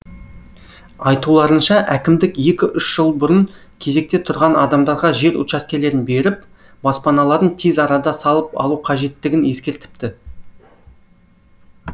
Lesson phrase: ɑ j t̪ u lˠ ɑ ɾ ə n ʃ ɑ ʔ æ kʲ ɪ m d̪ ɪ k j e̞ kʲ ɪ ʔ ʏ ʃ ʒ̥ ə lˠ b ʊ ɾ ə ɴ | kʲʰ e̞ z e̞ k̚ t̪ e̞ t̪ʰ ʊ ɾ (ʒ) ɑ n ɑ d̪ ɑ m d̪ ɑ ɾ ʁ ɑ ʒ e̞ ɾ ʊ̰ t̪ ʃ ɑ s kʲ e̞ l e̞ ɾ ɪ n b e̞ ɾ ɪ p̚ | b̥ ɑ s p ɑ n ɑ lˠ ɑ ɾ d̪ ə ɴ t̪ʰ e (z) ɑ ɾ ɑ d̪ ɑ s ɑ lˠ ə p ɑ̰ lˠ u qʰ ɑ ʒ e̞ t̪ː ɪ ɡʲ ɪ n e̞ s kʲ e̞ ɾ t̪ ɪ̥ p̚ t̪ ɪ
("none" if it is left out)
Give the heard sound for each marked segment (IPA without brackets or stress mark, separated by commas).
ʁ, z